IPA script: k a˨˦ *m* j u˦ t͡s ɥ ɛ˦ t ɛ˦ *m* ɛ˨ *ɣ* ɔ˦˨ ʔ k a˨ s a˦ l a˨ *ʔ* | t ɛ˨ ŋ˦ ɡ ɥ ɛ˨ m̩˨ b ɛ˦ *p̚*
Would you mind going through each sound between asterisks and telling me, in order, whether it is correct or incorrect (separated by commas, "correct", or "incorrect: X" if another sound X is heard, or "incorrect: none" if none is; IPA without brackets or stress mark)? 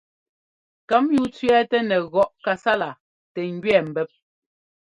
correct, incorrect: n, correct, incorrect: none, correct